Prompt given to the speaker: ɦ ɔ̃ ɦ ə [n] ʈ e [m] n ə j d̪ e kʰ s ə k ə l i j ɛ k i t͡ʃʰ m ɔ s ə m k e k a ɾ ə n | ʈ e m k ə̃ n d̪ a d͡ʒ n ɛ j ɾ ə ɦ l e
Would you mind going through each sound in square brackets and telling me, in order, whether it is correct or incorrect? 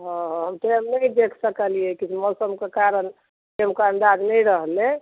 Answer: incorrect: m, correct

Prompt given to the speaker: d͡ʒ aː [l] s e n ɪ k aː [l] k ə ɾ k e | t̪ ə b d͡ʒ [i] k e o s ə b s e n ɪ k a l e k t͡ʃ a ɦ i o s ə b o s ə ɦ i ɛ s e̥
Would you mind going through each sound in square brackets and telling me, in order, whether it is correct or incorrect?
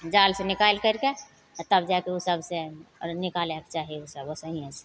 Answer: correct, correct, incorrect: a

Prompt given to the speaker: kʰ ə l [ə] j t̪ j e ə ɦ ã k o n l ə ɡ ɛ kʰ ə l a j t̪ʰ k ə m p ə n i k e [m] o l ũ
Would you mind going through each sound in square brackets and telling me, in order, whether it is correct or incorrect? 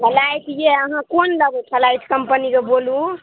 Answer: incorrect: a, incorrect: b

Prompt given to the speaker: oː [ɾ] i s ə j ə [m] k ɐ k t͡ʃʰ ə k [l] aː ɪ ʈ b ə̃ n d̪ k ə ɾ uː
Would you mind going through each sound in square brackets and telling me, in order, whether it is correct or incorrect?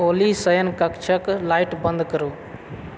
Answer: incorrect: l, incorrect: n, correct

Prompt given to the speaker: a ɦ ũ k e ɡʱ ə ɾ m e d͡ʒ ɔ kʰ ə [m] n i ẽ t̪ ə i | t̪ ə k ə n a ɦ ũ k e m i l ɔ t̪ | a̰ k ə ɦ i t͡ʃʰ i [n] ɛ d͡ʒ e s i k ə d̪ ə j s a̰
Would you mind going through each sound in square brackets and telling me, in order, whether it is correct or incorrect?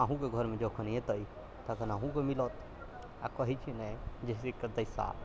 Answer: incorrect: none, correct

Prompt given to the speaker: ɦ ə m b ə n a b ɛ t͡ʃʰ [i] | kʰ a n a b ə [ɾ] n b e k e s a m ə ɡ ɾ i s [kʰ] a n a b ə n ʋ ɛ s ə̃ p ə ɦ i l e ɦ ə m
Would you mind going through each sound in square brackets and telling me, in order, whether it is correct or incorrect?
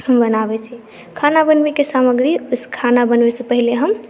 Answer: correct, incorrect: none, correct

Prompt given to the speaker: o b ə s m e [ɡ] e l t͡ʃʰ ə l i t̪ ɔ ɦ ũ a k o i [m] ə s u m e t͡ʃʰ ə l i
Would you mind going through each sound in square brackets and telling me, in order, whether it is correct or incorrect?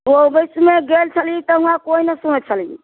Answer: correct, incorrect: n

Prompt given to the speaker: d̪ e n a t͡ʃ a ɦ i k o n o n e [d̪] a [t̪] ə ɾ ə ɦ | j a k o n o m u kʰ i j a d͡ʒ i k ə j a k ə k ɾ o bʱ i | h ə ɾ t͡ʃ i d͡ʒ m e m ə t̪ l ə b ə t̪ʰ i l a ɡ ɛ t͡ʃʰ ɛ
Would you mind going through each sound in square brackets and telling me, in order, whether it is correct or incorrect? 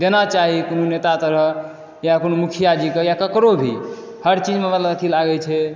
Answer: incorrect: t̪, correct

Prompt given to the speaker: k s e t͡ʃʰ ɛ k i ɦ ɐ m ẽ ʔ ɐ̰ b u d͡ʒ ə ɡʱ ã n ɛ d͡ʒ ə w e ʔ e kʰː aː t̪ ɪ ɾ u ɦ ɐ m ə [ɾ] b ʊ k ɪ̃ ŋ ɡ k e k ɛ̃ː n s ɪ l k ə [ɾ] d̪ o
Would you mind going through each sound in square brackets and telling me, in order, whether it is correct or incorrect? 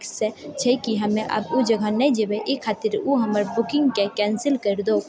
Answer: correct, correct

